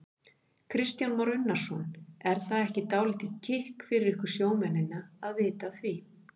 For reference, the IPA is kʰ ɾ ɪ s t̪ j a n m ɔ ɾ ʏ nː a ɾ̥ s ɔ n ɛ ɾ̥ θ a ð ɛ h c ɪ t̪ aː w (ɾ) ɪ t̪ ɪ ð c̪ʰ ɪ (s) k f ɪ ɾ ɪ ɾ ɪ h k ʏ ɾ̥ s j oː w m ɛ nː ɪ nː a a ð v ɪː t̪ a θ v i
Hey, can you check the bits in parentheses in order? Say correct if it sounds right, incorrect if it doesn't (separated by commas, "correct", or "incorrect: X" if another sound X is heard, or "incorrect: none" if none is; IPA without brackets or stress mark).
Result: incorrect: l, incorrect: h